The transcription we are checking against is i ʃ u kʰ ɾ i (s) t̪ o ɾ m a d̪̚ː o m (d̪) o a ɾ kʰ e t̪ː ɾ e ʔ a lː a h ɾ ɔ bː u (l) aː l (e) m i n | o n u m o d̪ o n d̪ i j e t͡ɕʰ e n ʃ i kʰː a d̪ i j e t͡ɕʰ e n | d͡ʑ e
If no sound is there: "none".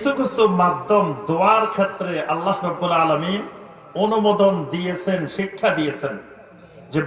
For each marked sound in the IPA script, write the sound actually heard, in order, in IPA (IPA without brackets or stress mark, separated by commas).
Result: s, d̪, l, a